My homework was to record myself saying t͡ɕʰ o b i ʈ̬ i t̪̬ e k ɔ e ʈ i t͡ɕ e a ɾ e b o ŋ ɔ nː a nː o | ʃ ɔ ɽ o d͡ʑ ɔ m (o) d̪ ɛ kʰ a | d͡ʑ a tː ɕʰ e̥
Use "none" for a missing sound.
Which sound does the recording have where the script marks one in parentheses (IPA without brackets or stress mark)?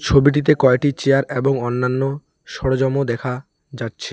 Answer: o